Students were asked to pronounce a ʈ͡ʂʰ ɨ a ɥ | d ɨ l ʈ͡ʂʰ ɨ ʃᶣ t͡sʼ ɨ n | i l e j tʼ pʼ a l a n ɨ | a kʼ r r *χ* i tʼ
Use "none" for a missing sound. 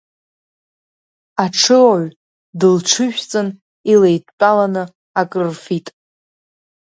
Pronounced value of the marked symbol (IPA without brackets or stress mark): f